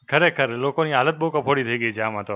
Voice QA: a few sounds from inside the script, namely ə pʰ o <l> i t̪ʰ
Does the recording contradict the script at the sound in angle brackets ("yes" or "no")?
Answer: yes